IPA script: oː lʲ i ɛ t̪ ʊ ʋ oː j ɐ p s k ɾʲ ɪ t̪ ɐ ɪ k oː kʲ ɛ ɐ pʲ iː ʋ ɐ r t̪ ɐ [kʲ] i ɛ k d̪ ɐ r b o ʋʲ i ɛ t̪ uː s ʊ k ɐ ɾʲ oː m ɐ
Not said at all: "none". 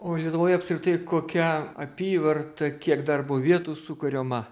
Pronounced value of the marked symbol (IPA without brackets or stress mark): kʲ